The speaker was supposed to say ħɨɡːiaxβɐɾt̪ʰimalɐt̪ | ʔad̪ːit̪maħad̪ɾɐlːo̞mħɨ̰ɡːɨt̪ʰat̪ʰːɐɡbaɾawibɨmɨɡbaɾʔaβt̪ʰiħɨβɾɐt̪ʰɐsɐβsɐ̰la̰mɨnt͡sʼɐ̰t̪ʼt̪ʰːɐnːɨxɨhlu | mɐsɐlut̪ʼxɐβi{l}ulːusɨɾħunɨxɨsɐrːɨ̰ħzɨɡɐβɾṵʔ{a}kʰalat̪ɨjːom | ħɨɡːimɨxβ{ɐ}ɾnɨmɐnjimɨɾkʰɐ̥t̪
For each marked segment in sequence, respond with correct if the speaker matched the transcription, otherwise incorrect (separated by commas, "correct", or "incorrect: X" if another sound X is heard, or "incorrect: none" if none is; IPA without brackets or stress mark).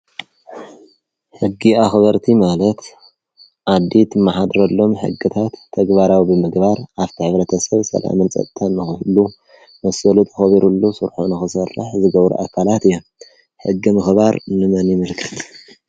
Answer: incorrect: ɾ, correct, incorrect: a